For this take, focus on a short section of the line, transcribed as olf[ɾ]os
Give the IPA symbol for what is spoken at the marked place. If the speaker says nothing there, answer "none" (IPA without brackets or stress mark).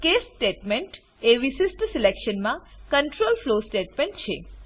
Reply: l